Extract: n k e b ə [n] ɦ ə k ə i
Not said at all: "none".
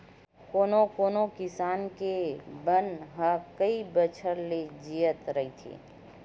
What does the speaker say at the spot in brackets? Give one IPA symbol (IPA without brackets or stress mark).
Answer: n